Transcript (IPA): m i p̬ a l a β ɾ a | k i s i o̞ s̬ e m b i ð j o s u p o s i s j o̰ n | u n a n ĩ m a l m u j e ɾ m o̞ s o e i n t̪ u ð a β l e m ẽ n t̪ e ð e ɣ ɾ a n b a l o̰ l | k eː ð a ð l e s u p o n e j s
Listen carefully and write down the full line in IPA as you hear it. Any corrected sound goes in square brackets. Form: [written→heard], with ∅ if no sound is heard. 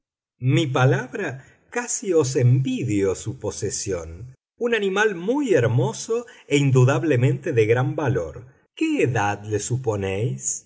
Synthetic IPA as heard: m i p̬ a l a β ɾ a | k [i→a] s i o̞ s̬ e m b i ð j o s u p o s [i→e] s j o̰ n | u n a n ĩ m a l m u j e ɾ m o̞ s o e i n [t̪→d̪] u ð a β l e m ẽ n t̪ e ð e ɣ ɾ a [n→m] b a l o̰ [l→ɾ] | k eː ð a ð l e s u p o n e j s